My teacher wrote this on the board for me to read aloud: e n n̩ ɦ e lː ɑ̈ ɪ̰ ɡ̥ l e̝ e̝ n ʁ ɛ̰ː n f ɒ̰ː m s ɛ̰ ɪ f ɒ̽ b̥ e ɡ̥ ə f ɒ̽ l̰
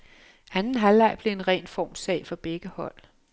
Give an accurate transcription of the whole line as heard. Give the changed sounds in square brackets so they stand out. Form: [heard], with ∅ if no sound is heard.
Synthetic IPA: [æ] n n̩ ɦ [æ] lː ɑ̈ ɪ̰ [b̥] l e̝ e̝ n ʁ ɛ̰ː n f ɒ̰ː m s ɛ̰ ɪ f ɒ̽ b̥ e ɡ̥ ə [h] ɒ̽ l̰